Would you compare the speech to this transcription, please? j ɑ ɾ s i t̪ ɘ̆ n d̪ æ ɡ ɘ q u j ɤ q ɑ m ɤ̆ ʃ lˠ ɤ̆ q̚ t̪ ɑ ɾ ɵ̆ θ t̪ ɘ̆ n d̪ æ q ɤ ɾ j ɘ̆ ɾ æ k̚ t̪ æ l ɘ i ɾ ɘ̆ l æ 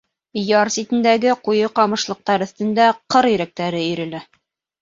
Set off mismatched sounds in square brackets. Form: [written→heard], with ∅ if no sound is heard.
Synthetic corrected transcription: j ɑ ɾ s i t̪ ɘ̆ n d̪ æ ɡ ɘ q u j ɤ q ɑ m ɤ̆ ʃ lˠ ɤ̆ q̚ t̪ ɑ ɾ ɵ̆ θ t̪ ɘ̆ n d̪ æ q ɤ ɾ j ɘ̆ ɾ æ k̚ t̪ æ [l→ɾ] ɘ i ɾ ɘ̆ l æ

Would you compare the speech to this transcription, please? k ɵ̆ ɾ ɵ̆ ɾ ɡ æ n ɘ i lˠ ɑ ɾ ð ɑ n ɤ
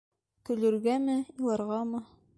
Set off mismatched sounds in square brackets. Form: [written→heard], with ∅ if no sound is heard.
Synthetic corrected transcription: k ɵ̆ [ɾ→l] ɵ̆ ɾ ɡ æ [n→m] ɘ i lˠ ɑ ɾ [ð→ʁ] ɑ [n→m] ɤ

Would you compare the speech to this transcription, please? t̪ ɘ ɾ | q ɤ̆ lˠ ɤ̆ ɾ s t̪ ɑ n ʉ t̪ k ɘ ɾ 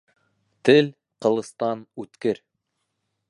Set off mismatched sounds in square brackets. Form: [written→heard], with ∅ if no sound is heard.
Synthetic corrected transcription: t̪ ɘ [ɾ→l] | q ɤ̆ lˠ ɤ̆ [ɾ→∅] s t̪ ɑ n ʉ t̪ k ɘ ɾ

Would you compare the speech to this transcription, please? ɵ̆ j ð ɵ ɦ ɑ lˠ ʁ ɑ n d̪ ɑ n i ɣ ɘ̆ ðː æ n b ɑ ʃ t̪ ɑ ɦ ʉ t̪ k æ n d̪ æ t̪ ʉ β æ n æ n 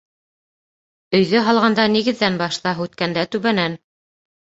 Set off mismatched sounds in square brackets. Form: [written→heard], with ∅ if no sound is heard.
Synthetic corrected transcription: ɵ̆ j ð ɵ ɦ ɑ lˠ ʁ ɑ n d̪ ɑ n i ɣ ɘ̆ ðː æ n b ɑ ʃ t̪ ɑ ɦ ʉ t̪ k æ n d̪ æ t̪ ʉ β æ n æ n

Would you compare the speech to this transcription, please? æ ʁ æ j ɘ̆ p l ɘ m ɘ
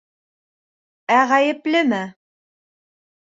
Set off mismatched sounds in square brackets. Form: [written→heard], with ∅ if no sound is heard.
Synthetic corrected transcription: æ ʁ æ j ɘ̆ p l ɘ m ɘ

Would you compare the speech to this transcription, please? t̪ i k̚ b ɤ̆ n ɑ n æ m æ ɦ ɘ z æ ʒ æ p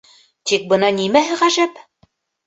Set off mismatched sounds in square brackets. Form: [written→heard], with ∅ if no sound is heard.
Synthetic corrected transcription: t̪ i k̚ b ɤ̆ n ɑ n [æ→i] m æ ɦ ɘ [z→ʁ] æ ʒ æ p

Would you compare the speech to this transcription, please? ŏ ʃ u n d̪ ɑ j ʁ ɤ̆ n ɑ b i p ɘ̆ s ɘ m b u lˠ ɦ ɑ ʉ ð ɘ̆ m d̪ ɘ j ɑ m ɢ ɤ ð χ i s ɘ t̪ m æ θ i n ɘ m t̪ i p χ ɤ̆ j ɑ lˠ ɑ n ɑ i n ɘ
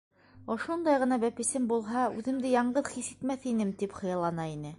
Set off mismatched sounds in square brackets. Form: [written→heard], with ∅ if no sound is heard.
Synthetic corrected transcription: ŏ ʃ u n d̪ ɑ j ʁ ɤ̆ n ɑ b [i→æ] p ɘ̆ s ɘ m b u lˠ ɦ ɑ ʉ ð ɘ̆ m d̪ ɘ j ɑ [m→ɴ] ɢ ɤ ð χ i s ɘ t̪ m æ θ i n ɘ m t̪ i p χ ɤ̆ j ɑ lˠ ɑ n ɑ i n ɘ

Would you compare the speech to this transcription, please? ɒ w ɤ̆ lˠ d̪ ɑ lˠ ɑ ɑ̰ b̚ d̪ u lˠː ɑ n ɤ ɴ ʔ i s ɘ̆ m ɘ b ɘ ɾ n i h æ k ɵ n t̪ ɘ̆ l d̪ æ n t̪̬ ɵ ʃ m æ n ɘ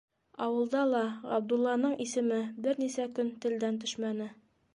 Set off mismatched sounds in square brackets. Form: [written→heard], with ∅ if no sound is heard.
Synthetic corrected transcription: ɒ w ɤ̆ lˠ d̪ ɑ lˠ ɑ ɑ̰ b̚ d̪ u lˠː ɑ n ɤ ɴ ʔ i s ɘ̆ m ɘ b ɘ ɾ n i [h→s] æ k ɵ n t̪ ɘ̆ l d̪ æ n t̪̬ ɵ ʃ m æ n ɘ

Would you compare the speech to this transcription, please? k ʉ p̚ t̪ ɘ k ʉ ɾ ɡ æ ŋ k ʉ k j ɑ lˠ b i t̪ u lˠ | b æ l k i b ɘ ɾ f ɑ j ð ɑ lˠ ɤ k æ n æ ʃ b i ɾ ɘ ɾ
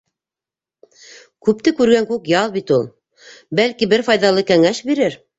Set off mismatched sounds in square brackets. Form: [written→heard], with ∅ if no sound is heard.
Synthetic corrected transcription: k ʉ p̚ t̪ ɘ k ʉ ɾ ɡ æ ŋ k ʉ k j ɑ lˠ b i t̪ u lˠ | b æ l k i b ɘ ɾ f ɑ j ð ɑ lˠ ɤ k æ [n→ŋ] æ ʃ b i ɾ ɘ ɾ

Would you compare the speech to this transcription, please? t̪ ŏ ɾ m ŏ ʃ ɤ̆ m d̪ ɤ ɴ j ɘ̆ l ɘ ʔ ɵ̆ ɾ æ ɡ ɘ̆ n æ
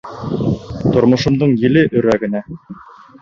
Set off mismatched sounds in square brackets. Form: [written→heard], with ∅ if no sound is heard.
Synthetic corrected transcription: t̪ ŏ ɾ m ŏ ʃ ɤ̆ m d̪ ɤ ɴ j ɘ̆ l ɘ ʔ ɵ̆ ɾ æ ɡ ɘ̆ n æ

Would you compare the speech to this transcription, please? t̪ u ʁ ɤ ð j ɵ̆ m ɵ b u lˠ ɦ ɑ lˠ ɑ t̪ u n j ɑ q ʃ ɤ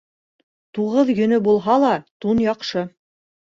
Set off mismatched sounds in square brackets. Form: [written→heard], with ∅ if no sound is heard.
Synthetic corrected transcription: t̪ u ʁ ɤ ð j ɵ̆ [m→n] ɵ b u lˠ ɦ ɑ lˠ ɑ t̪ u n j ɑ q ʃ ɤ

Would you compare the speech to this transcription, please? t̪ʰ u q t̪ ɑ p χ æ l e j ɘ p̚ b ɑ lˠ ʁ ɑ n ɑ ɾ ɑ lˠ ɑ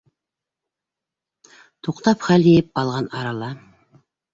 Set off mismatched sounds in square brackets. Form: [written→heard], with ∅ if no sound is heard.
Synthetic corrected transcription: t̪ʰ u q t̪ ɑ p χ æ l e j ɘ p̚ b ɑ lˠ ʁ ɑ n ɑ ɾ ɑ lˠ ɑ

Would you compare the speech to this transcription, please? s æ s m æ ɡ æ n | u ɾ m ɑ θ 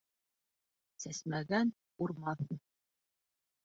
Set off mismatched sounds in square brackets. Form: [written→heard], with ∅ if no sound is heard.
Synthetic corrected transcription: s æ s m æ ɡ æ n | u ɾ m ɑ θ

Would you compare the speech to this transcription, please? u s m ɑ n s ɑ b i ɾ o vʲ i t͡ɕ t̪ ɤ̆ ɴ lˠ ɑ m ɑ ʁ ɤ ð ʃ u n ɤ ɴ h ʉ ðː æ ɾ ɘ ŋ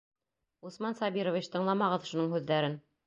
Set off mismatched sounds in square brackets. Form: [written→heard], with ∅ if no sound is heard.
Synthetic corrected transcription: u s m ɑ n s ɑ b i ɾ o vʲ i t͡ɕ t̪ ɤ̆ ɴ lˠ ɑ m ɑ ʁ ɤ ð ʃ u n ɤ ɴ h ʉ ðː æ ɾ ɘ [ŋ→n]

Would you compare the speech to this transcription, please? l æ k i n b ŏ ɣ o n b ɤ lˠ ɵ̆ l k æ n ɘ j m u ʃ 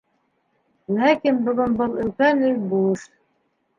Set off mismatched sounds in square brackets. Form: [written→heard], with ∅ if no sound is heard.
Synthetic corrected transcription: l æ k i n b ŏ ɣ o n b ɤ lˠ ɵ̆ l k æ n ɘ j [m→b] u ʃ

